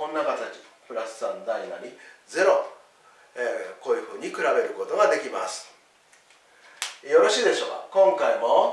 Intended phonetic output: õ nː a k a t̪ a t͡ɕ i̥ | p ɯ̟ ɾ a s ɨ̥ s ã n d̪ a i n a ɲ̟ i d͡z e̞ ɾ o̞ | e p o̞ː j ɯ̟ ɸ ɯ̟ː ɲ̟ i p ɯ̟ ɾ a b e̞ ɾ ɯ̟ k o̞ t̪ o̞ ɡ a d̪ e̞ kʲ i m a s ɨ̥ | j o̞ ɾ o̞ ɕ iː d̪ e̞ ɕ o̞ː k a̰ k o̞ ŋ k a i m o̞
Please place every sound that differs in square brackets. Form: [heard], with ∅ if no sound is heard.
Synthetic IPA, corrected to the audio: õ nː a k a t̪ a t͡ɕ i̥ | p ɯ̟ ɾ a s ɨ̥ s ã n d̪ a i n a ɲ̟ i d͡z e̞ ɾ o̞ | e [k] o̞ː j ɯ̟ ɸ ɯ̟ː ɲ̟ i [k] ɯ̟ ɾ a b e̞ ɾ ɯ̟ k o̞ t̪ o̞ ɡ a d̪ e̞ kʲ i m a s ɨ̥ | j o̞ ɾ o̞ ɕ iː d̪ e̞ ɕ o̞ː k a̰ k [õ̞] ŋ k a i m o̞